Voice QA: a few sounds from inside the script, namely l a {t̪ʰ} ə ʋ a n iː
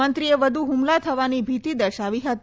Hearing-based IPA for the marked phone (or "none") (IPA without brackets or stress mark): t̪ʰ